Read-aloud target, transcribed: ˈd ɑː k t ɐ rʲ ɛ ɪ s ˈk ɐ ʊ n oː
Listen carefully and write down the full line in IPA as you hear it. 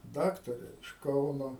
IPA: ˈd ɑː k t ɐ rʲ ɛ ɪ ʃ ˈk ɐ ʊ n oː